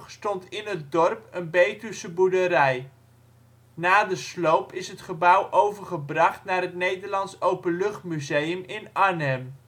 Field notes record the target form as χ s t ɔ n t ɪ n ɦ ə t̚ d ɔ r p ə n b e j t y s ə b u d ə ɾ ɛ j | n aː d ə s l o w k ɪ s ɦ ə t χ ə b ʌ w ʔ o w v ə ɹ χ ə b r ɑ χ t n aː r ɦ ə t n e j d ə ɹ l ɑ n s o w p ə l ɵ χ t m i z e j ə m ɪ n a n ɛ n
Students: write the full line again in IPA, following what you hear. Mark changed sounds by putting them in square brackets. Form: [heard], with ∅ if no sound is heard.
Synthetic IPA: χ s t ɔ n t ɪ n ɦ ə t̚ d ɔ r p ə n b e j t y s ə b u d ə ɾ ɛ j | n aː d ə s l o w [p] ɪ s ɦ ə t χ ə b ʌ w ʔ o w v ə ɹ χ ə b r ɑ χ t n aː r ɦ ə t n e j d ə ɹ l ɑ n s o w p ə l ɵ χ t m [y] z e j ə m ɪ n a n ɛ [m]